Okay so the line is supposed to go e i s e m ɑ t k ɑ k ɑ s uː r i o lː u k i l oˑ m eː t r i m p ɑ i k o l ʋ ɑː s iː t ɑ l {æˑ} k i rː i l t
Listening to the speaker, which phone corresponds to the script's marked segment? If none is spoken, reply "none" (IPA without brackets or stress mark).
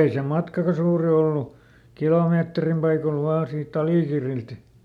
iˑ